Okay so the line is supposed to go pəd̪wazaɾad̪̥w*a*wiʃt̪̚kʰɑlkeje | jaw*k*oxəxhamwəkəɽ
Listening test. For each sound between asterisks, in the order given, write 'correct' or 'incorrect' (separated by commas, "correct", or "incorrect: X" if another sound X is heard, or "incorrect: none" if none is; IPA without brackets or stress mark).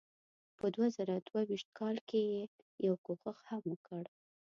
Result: correct, correct